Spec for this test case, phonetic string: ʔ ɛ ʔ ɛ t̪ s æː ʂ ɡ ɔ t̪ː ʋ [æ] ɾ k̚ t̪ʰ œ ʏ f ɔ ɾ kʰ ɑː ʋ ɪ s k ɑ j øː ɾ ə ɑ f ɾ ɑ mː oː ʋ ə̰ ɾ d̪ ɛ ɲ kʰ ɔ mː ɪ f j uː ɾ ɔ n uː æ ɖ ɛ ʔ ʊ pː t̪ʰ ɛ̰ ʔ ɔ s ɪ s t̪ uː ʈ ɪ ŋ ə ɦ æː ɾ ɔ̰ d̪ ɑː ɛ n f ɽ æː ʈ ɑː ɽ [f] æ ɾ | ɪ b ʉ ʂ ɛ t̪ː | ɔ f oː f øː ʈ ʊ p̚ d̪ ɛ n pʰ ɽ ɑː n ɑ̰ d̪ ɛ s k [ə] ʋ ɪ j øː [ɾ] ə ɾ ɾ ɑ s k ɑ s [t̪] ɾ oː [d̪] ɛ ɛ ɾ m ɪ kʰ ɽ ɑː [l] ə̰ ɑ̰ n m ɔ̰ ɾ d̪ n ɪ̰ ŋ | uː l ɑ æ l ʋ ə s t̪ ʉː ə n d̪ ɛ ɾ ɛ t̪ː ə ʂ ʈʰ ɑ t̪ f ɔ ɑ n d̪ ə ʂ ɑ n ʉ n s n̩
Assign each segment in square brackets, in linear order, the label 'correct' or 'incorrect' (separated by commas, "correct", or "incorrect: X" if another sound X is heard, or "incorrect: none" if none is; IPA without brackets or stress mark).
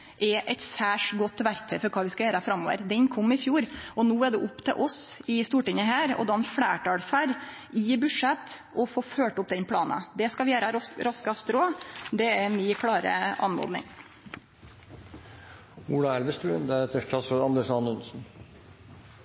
correct, correct, incorrect: ɑ, correct, correct, correct, incorrect: ɾ